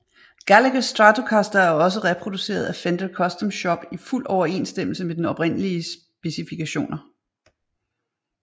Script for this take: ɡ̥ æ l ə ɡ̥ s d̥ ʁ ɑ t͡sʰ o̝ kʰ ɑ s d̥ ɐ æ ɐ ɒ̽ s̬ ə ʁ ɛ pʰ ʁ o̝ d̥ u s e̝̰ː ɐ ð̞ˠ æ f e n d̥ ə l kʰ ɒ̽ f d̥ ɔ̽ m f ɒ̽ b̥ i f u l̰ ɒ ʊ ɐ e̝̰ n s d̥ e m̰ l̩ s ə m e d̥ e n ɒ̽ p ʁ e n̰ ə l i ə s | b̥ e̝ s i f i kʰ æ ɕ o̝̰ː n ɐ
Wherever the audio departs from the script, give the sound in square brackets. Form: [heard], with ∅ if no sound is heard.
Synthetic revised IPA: ɡ̥ æ l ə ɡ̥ s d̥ ʁ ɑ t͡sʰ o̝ kʰ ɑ s d̥ ɐ æ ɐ ɒ̽ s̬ ə ʁ ɛ pʰ ʁ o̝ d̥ u s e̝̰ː ɐ ð̞ˠ æ f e n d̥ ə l kʰ ɒ̽ [s] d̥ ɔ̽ m [ɕ] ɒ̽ b̥ i f u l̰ ɒ ʊ ɐ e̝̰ n s d̥ e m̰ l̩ s ə m e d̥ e n ɒ̽ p ʁ e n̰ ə l i ə s | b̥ e̝ s i f i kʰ æ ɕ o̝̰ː n ɐ